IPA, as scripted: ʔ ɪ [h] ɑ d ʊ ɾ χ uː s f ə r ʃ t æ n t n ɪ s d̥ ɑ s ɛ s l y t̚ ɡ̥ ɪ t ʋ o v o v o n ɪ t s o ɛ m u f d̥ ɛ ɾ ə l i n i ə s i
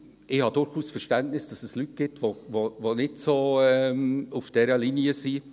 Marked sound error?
no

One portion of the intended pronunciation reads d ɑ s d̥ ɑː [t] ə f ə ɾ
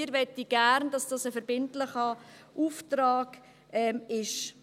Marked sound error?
yes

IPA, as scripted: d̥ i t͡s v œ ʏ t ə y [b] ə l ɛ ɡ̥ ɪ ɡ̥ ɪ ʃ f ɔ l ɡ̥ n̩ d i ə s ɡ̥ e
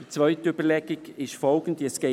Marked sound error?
no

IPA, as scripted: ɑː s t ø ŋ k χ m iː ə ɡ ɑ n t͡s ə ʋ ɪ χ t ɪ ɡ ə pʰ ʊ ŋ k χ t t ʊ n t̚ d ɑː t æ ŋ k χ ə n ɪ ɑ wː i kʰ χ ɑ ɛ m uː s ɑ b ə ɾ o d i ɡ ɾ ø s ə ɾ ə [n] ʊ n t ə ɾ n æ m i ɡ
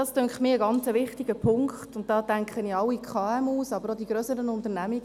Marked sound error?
no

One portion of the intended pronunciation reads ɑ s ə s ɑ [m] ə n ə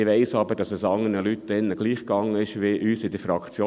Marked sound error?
yes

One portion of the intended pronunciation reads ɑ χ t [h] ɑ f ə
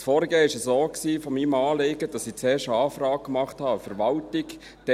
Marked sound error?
no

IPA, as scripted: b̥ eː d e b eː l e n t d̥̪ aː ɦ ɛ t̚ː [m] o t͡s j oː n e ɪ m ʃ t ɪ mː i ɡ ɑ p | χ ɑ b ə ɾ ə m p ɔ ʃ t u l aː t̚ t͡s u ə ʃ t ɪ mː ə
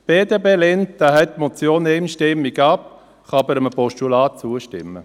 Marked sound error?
no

